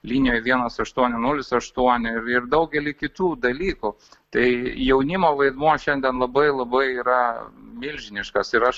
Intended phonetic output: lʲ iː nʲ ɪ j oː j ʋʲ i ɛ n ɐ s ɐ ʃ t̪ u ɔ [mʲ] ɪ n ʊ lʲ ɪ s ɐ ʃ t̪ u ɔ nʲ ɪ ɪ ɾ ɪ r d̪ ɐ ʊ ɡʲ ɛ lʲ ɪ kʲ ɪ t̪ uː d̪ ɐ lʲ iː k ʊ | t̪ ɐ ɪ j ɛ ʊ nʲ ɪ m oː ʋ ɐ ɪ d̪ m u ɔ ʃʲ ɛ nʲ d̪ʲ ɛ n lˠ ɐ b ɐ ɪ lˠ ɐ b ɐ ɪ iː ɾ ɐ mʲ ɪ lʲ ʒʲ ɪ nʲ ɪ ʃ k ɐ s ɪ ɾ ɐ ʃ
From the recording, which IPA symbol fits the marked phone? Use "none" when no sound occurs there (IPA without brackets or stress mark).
nʲ